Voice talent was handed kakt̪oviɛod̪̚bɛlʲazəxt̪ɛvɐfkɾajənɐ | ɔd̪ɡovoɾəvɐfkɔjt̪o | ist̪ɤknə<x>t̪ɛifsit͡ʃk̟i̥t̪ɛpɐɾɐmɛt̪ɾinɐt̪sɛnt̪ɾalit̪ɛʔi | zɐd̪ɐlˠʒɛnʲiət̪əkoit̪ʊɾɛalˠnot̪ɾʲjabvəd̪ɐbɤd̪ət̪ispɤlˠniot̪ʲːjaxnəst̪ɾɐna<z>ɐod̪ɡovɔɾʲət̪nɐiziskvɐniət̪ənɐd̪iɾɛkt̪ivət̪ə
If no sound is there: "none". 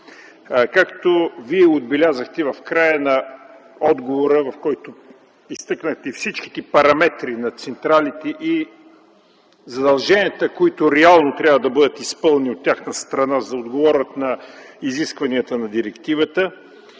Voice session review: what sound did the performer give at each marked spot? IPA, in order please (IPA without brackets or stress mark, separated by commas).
x, z